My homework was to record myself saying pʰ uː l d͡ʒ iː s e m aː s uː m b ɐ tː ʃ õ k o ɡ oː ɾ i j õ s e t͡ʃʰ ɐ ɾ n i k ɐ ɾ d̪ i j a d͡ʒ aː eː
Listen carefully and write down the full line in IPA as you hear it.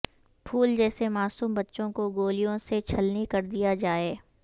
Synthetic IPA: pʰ uː l d͡ʒ ɛː s e m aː s uː m b ɐ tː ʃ õ k o ɡ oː l i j õ s e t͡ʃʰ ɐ l n i k ɐ ɾ d̪ i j a d͡ʒ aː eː